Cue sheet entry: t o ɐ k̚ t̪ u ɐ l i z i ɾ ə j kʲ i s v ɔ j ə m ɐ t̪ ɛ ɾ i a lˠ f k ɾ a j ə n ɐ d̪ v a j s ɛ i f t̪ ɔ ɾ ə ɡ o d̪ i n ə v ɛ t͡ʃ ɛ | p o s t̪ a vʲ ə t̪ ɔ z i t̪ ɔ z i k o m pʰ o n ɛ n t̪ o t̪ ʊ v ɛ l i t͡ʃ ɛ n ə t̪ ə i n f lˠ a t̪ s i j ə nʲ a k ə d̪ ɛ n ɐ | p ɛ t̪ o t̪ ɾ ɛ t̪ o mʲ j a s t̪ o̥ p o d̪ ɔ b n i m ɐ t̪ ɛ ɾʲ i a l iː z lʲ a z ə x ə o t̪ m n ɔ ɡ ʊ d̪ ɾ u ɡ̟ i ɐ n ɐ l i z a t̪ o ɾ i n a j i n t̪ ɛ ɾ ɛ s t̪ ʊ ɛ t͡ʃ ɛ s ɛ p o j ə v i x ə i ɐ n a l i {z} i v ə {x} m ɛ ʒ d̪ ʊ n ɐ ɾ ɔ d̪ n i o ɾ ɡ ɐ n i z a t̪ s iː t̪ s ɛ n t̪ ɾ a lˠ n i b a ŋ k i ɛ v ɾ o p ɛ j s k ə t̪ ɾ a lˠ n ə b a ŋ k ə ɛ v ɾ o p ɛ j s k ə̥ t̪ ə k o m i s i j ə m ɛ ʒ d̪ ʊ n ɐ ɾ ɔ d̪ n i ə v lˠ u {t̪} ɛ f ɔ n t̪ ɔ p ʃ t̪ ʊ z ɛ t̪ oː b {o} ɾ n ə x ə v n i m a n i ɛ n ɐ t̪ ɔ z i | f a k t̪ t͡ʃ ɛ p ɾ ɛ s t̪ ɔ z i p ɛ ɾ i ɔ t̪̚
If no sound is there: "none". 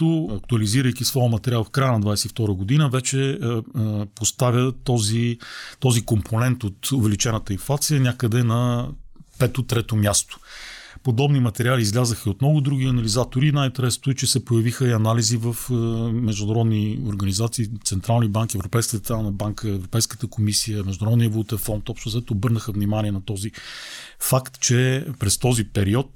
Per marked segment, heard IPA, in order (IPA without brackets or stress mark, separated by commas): z, f, t̪, ɤ